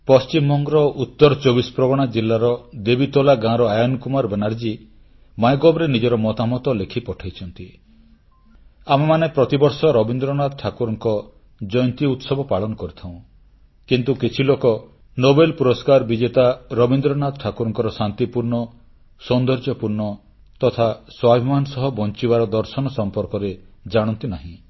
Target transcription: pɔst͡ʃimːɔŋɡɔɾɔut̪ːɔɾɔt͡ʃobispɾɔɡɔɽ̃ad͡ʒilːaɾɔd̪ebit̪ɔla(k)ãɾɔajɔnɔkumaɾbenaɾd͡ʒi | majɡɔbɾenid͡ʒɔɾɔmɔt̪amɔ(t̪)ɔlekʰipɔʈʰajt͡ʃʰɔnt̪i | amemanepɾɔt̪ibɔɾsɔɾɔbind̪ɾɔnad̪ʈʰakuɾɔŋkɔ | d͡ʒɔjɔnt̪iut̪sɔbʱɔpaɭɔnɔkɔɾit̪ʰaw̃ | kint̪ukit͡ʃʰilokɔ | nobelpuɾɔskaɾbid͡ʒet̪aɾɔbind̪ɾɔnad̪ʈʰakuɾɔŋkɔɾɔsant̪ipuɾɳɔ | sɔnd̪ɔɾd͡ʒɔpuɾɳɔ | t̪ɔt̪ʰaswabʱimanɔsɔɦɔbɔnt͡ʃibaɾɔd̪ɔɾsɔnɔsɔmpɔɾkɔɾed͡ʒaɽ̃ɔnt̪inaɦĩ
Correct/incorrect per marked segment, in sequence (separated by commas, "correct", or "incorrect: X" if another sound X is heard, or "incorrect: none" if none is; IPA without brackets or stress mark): incorrect: ɡ, correct